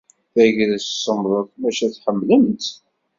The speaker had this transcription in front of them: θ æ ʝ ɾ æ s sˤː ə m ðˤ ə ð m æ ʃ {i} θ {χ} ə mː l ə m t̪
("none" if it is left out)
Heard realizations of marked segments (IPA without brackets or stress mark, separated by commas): æ, ħ